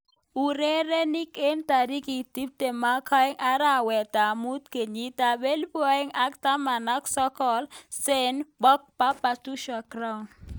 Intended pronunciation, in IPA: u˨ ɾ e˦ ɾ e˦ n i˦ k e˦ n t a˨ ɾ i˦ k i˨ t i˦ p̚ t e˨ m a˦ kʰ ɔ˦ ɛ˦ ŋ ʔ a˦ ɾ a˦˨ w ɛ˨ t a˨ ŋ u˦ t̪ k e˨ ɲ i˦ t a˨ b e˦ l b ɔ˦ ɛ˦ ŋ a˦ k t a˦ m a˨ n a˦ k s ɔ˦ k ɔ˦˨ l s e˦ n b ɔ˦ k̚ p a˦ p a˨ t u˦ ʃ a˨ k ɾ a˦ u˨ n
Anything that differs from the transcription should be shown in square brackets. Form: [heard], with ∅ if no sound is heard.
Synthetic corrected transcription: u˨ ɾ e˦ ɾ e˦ n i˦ k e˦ n t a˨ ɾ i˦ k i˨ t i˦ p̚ t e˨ m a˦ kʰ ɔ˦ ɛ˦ ŋ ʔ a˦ ɾ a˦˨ w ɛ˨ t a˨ [m] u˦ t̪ k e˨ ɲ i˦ t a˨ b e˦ l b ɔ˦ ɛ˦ ŋ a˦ k t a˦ m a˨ n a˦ k s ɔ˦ k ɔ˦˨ l s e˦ n b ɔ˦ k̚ p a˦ p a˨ t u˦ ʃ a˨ k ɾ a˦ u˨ n